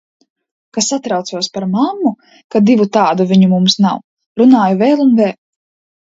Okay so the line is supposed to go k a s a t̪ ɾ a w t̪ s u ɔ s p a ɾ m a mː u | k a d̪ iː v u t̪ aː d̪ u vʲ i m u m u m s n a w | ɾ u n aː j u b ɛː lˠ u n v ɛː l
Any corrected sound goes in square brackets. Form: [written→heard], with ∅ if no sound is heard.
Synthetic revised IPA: k a s a t̪ ɾ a w t̪ s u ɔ s p a ɾ m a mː u | k a d̪ [iː→i] v u t̪ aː d̪ u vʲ i [m→ɲ] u m u m s n a w | ɾ u n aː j u [b→v] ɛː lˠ u n v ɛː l